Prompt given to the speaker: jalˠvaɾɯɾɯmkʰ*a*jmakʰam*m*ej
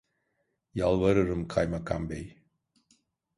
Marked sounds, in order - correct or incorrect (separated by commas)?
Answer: correct, incorrect